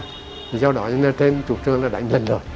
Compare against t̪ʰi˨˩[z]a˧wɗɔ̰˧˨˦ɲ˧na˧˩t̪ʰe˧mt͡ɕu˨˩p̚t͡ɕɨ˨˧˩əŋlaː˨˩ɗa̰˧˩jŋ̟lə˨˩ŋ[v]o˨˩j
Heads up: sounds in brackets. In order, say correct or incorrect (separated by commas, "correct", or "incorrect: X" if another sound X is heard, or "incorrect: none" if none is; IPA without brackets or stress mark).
correct, incorrect: z